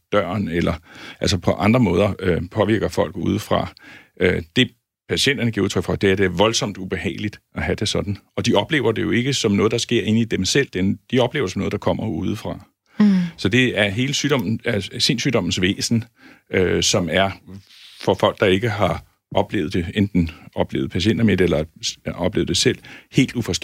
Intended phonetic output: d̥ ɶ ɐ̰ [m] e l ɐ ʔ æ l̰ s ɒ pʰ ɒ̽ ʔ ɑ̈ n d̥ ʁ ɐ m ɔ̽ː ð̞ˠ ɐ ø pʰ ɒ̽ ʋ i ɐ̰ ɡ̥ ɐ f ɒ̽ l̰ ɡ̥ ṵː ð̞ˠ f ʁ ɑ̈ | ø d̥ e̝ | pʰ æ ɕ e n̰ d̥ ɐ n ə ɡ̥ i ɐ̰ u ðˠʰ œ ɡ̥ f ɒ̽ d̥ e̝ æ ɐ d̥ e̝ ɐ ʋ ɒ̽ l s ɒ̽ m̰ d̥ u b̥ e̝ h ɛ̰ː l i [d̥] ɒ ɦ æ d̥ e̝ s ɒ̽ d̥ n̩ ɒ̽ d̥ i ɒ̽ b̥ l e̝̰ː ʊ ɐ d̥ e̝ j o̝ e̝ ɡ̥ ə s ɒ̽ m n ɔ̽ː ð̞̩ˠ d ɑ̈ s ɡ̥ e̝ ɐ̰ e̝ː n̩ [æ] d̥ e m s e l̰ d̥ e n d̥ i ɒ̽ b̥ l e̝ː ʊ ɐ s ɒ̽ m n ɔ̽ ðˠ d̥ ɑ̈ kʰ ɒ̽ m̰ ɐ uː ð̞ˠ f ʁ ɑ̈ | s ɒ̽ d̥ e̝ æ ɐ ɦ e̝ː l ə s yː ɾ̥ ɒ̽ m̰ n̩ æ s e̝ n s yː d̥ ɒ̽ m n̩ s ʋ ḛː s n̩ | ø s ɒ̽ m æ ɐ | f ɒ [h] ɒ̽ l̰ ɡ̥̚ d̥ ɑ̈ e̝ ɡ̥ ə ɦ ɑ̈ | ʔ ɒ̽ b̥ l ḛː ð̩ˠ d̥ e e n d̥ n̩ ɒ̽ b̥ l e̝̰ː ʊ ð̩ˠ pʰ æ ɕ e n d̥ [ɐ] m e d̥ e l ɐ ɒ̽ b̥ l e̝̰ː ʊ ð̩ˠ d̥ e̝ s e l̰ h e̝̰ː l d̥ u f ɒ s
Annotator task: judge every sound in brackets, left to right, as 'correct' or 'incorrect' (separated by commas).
incorrect, correct, incorrect, incorrect, correct